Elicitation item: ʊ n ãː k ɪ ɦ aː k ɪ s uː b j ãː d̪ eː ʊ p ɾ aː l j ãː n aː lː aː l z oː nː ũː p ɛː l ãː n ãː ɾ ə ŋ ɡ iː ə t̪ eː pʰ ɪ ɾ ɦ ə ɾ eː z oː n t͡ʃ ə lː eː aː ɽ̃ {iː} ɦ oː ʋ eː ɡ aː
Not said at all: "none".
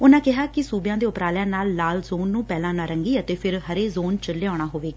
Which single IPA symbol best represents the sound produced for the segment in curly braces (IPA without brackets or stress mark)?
aː